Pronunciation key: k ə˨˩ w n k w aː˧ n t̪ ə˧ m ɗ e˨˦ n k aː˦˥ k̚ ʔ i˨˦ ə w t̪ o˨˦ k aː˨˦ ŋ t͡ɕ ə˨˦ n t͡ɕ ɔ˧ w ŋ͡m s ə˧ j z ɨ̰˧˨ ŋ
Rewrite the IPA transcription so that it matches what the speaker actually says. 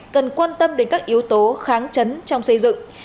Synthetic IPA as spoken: k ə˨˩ n k w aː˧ n t̪ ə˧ m ɗ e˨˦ n k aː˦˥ k̚ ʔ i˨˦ ə w t̪ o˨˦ x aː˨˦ ŋ t͡ɕ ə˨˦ n t͡ɕ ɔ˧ w ŋ͡m s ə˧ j z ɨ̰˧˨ ŋ